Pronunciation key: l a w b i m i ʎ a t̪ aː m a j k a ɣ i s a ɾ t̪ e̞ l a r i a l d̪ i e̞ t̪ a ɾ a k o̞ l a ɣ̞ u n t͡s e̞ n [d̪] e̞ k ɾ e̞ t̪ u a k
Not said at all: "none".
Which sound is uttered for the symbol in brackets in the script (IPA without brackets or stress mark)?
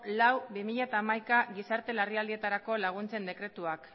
d̪